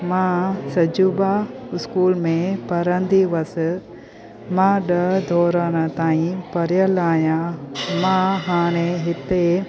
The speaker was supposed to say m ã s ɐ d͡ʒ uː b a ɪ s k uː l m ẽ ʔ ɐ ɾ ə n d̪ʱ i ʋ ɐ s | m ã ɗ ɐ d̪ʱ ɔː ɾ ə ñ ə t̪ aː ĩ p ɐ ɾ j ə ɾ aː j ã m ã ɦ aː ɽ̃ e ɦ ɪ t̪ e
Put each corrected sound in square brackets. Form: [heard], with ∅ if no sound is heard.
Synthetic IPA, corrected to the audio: m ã s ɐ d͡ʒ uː b a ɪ s k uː l m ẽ [p] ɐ ɾ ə n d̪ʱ i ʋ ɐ s | m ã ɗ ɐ d̪ʱ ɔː ɾ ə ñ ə t̪ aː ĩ p ɐ ɾ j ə [l] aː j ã m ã ɦ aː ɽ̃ e ɦ ɪ t̪ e